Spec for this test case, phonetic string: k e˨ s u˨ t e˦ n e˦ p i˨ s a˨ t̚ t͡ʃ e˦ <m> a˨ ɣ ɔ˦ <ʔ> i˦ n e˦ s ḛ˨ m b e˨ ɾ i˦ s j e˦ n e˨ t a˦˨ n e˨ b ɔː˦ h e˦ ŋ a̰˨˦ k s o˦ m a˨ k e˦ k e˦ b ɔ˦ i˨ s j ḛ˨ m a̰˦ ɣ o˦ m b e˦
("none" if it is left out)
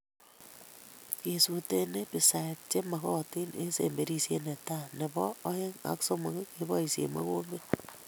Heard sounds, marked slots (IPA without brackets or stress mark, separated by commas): m, t